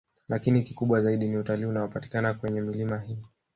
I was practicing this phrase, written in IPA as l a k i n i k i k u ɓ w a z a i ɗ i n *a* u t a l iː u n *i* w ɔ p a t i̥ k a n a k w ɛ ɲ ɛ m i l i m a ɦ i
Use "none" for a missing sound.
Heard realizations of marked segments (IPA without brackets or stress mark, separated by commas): i, a